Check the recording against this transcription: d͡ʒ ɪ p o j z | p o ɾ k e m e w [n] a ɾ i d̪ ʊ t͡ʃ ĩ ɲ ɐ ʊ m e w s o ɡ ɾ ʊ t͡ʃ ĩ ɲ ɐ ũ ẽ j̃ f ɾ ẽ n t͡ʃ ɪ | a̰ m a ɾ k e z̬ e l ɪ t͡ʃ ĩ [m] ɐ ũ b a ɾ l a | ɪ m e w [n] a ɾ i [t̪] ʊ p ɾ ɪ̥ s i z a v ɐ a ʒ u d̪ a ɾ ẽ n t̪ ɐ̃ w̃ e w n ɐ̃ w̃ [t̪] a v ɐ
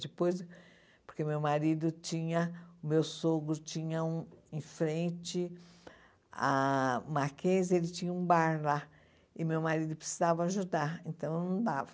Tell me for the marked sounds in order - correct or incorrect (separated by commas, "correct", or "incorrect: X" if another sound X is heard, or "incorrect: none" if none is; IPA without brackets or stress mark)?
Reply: incorrect: m, incorrect: ɲ, incorrect: m, incorrect: d̪, incorrect: d̪